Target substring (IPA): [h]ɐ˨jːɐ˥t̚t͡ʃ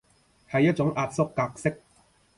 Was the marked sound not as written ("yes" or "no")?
no